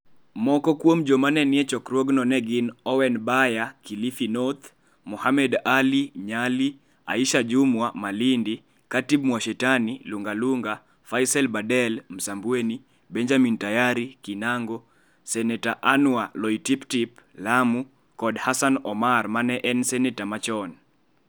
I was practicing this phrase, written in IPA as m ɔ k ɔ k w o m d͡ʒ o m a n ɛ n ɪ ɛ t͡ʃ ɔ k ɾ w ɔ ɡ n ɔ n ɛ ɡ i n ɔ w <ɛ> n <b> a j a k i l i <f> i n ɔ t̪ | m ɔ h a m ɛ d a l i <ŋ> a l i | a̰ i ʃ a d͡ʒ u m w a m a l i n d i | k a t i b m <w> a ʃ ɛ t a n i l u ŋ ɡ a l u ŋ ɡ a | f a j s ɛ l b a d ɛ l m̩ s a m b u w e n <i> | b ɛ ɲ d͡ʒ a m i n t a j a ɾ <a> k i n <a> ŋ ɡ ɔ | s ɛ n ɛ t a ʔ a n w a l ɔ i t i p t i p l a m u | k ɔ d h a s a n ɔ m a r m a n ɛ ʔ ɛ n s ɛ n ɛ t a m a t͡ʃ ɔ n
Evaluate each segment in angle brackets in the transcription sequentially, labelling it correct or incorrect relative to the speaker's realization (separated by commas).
correct, correct, correct, incorrect, correct, correct, incorrect, correct